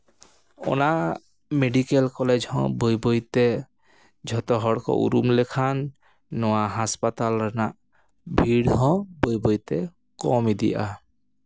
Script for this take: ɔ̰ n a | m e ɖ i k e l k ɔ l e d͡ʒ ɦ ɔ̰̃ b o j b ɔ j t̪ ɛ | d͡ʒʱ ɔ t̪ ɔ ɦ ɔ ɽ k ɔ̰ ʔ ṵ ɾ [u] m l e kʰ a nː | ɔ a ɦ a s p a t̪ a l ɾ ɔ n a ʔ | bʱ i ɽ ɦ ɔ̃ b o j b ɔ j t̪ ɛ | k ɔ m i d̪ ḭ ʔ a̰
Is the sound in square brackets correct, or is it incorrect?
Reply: correct